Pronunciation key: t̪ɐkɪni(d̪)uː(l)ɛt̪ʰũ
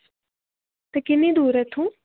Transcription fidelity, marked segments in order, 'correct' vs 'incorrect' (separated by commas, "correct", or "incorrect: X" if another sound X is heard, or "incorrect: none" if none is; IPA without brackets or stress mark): correct, incorrect: ɾ